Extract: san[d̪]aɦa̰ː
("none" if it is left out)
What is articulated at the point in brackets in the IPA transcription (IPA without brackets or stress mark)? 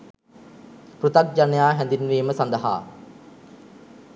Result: d̪